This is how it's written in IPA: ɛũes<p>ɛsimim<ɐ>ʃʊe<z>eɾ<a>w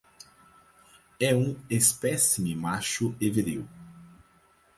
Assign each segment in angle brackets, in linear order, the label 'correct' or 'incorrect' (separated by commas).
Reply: correct, incorrect, incorrect, incorrect